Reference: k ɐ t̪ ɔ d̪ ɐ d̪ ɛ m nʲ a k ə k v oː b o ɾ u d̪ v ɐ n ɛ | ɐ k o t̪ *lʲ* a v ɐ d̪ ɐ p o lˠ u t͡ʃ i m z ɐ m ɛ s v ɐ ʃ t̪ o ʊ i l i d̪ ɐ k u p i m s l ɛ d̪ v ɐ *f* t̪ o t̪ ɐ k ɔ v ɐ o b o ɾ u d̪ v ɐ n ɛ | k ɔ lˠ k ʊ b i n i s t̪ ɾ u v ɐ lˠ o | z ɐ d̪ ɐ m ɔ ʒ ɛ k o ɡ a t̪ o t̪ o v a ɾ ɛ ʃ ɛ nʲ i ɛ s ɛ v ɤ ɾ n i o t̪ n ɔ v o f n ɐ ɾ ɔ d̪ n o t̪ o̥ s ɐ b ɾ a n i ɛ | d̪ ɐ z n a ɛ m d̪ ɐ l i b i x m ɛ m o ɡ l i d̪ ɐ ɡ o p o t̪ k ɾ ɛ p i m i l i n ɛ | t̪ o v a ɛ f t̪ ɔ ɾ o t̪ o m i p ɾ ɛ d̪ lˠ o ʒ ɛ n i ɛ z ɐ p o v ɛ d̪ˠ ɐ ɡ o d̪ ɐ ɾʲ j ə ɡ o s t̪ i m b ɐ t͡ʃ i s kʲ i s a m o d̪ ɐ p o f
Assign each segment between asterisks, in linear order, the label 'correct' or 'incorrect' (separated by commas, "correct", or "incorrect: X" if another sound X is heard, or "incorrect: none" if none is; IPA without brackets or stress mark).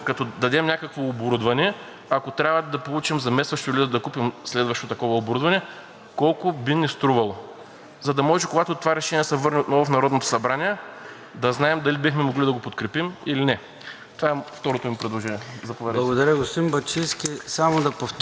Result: incorrect: ɾʲ, incorrect: ʃ